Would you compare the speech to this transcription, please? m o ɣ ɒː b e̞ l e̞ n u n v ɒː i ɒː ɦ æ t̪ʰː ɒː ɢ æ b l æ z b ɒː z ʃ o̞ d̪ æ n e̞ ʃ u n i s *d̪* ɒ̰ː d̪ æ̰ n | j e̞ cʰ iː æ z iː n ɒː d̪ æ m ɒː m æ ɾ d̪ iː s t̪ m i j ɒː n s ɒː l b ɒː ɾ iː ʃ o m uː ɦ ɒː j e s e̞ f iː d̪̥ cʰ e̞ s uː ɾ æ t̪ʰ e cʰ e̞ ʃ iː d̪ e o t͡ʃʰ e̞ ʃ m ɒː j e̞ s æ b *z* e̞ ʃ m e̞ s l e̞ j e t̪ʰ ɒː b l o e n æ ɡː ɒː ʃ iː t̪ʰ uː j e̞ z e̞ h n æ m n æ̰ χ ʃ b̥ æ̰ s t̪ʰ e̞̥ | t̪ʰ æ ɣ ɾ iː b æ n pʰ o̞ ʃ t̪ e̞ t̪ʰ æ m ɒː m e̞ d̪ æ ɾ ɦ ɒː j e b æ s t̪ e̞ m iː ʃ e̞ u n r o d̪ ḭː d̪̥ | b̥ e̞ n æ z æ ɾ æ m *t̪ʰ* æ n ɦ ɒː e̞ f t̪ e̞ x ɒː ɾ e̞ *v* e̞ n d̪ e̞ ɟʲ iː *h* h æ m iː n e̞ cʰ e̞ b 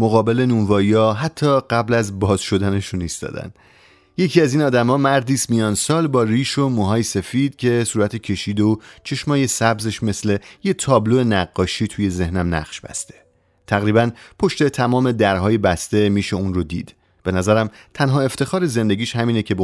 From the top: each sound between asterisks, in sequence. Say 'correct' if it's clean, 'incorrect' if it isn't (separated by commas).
incorrect, correct, correct, incorrect, incorrect